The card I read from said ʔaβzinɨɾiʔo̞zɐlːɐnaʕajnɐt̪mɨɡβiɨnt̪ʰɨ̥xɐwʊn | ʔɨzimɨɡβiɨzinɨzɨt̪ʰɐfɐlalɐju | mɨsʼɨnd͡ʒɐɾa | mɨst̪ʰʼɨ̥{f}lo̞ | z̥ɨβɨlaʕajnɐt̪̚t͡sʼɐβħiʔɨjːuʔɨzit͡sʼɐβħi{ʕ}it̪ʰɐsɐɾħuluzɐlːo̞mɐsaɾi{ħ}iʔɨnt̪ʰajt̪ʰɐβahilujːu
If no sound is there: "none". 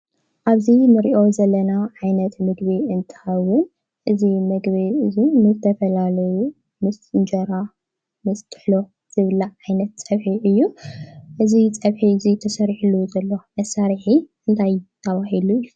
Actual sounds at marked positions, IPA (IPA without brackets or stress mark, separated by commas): ħ, z, ħ